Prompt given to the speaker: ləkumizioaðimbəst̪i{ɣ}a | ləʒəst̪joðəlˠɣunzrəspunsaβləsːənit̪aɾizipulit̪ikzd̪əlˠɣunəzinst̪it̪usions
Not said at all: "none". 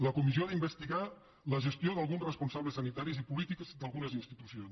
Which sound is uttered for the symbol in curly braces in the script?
ɣ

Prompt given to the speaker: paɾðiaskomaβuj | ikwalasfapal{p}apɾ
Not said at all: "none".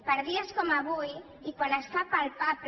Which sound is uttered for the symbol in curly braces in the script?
p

